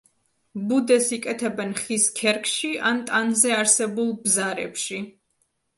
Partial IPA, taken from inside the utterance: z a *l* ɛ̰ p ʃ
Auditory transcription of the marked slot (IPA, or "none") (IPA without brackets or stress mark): ɾ